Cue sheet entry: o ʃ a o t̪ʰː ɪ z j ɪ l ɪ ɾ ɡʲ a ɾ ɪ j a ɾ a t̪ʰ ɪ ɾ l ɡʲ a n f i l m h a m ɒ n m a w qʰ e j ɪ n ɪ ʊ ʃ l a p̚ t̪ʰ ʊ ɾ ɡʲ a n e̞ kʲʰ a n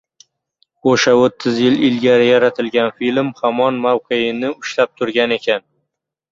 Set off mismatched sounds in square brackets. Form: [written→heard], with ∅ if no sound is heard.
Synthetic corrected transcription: o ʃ a o t̪ʰː ɪ z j ɪ l ɪ [ɾ→l] ɡʲ a ɾ ɪ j a ɾ a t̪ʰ ɪ [ɾ→∅] l ɡʲ a n f i l m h a m ɒ n m a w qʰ e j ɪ n ɪ ʊ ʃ l a p̚ t̪ʰ ʊ ɾ ɡʲ a n e̞ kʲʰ a n